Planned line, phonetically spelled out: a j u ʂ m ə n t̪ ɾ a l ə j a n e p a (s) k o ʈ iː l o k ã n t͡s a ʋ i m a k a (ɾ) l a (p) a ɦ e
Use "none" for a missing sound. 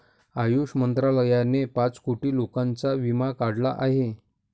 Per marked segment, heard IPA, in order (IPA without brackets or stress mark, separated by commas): t͡s, ɽ, ʔ